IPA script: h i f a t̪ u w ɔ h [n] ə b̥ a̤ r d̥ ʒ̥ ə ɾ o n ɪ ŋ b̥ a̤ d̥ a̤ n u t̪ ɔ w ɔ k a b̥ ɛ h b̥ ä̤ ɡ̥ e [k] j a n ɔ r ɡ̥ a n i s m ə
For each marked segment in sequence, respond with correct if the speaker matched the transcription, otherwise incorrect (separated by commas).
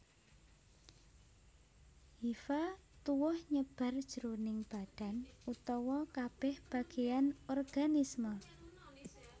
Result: incorrect, incorrect